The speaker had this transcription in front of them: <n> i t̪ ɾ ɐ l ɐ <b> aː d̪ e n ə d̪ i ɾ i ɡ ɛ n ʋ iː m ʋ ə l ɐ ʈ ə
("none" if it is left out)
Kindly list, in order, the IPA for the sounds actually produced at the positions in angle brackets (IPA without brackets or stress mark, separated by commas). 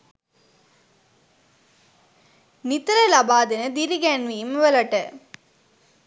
n, b